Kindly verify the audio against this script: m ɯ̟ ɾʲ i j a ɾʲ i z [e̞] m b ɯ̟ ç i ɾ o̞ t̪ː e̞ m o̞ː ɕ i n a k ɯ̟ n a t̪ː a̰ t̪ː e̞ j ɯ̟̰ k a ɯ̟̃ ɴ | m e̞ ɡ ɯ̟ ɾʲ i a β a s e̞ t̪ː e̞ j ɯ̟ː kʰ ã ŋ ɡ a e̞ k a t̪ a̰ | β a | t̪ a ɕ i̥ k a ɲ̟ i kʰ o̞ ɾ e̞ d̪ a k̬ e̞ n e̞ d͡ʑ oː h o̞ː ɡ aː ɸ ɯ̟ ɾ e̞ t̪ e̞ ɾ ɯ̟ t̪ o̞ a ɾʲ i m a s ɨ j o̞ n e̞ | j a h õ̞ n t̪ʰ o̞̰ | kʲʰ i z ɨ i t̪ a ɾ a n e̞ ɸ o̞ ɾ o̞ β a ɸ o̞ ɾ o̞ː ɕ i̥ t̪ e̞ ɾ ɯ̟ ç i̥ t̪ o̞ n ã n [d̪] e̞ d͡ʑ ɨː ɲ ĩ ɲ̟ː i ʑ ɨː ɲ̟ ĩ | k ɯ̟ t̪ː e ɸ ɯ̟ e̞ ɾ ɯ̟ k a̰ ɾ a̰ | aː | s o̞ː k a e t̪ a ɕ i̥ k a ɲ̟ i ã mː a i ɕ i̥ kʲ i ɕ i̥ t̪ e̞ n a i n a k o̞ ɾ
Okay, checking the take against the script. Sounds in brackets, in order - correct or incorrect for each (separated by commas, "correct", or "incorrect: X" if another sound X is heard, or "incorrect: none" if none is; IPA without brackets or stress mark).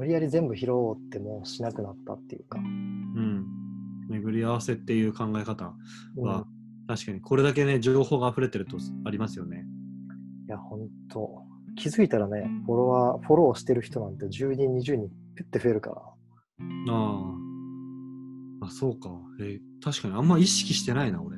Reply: incorrect: ẽ̞, incorrect: t̪